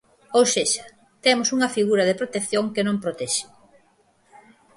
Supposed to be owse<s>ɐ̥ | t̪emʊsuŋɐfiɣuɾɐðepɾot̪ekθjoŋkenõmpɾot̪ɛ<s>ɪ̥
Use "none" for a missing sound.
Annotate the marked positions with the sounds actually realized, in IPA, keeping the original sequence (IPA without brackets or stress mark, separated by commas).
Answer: ʃ, ʃ